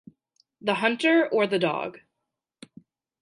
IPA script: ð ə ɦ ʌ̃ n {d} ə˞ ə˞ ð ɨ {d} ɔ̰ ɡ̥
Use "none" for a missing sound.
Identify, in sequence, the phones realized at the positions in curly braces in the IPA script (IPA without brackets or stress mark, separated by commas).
t, d